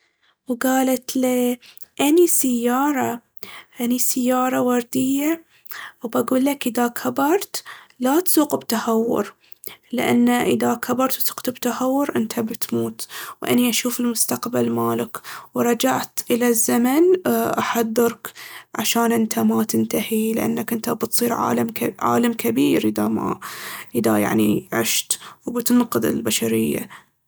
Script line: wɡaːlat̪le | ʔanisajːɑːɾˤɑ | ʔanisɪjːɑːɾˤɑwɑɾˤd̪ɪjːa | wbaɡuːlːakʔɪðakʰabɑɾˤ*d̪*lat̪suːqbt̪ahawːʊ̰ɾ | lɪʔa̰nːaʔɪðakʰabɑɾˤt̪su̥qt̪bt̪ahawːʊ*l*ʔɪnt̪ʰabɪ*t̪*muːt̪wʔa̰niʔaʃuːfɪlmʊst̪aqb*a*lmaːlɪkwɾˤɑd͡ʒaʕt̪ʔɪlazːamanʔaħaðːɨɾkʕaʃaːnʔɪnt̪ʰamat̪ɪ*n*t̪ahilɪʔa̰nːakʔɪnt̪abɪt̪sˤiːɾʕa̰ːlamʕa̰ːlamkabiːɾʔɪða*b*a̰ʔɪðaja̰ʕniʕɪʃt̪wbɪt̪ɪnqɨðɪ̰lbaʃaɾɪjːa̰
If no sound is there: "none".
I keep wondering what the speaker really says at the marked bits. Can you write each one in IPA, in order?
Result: t̪, ɾ, t̪, a, n, m

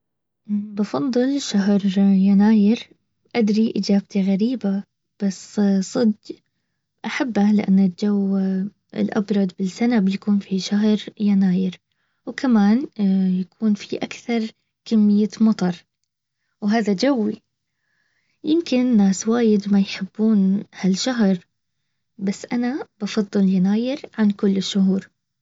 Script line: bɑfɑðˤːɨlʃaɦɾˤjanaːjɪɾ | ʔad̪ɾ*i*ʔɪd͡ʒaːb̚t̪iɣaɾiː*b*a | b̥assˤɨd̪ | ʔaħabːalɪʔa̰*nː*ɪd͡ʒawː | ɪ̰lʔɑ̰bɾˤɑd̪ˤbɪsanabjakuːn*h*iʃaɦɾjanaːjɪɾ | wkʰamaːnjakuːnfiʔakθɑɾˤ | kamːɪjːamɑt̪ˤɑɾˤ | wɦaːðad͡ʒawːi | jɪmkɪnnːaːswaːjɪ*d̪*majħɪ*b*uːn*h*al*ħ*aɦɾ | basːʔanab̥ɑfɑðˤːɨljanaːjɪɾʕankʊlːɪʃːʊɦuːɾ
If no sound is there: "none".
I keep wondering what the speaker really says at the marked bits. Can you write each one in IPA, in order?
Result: i, b, nː, f, d̪, bː, h, ʃ

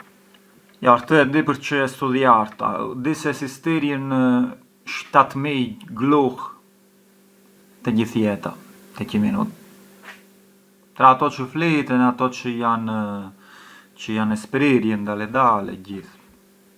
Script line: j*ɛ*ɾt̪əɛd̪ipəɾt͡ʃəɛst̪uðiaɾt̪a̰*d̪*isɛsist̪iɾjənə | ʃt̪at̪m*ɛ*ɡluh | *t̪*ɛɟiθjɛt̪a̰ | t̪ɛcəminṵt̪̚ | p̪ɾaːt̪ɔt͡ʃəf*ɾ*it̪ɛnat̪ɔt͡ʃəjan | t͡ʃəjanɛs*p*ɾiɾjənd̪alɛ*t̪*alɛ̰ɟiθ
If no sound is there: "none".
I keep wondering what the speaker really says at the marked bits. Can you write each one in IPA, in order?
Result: a, d̪, i, t̪, l, p, d̪

